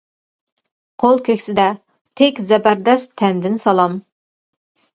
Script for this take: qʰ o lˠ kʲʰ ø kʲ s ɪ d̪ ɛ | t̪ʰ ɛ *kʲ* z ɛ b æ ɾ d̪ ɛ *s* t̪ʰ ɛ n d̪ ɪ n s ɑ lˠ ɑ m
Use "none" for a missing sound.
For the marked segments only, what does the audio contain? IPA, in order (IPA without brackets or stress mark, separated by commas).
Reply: kʲ, s